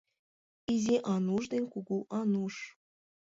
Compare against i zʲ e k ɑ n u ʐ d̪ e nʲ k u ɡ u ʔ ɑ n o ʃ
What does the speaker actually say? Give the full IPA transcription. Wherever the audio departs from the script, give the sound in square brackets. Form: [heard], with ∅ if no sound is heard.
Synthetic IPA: i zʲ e [ʔ] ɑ n u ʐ d̪ e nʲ k u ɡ u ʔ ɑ n [u] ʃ